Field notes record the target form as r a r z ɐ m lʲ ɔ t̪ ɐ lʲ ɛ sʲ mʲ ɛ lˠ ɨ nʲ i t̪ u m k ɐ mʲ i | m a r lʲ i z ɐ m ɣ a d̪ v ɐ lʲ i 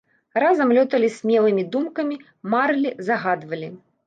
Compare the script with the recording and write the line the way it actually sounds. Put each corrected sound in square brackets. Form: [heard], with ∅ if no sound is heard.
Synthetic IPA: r a [∅] z ɐ m lʲ ɔ t̪ ɐ lʲ [i] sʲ mʲ ɛ lˠ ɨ [mʲ] i [d̪] u m k ɐ mʲ i | m a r lʲ i z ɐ [∅] ɣ a d̪ v ɐ lʲ i